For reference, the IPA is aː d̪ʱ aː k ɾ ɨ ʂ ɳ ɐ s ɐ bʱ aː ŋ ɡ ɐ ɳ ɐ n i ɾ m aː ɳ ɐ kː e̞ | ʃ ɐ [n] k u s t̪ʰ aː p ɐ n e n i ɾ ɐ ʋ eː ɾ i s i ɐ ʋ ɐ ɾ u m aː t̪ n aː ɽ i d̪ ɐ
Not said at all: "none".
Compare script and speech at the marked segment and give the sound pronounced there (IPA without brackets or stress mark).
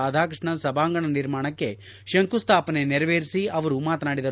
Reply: ŋ